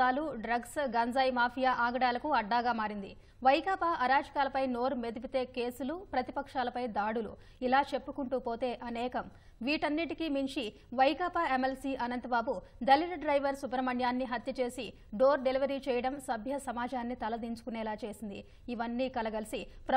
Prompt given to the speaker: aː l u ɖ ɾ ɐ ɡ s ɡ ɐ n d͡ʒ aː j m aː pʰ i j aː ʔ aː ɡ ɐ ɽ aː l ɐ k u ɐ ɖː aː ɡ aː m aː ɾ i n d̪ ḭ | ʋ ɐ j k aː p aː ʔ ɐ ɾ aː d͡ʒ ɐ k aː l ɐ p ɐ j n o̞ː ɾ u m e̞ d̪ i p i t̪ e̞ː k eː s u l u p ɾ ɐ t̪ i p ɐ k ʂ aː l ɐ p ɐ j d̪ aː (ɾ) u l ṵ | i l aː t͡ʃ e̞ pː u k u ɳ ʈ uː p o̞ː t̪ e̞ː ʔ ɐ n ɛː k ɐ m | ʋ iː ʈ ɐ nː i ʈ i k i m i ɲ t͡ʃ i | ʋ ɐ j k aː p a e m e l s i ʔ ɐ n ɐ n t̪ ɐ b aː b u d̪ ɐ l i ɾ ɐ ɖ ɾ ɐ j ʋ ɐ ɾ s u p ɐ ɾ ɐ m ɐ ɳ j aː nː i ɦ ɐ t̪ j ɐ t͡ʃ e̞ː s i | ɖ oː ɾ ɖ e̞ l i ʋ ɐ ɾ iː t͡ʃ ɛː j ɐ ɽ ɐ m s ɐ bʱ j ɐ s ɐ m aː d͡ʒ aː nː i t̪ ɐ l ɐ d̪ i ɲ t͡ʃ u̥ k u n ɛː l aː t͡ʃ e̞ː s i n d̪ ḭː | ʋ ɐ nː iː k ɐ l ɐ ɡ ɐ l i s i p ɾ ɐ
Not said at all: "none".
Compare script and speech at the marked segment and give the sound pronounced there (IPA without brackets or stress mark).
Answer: ɽ